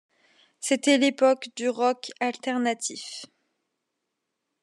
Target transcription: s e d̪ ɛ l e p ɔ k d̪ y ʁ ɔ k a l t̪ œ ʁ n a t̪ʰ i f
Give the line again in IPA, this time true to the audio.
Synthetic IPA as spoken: s e t̪ ɛ l e p ɔ k d̪ y ʁ ɔ k a l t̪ ɛ ʁ n a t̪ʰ i f